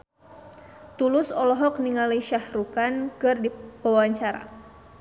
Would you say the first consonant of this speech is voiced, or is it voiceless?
voiceless